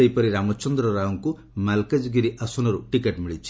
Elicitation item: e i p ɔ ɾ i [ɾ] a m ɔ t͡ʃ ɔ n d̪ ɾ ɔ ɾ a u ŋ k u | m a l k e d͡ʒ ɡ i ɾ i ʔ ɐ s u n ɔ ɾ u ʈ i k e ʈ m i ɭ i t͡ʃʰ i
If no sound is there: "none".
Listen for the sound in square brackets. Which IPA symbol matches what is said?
ɾ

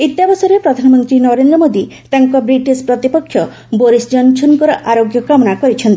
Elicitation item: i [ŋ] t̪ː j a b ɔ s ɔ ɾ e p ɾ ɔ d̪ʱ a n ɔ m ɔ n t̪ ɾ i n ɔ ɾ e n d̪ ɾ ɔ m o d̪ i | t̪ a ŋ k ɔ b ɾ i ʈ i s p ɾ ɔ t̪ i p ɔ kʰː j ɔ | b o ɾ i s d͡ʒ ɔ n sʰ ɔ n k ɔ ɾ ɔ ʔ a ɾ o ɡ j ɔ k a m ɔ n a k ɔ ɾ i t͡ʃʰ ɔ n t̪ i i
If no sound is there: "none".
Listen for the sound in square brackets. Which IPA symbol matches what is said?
none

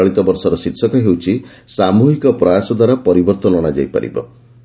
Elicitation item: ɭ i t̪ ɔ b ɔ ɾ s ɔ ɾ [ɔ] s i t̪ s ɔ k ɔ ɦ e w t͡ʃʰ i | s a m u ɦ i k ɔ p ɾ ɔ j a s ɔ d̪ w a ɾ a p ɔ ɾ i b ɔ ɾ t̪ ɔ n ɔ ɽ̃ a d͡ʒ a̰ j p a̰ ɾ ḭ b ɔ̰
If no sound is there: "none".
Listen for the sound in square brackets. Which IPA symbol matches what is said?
ɔ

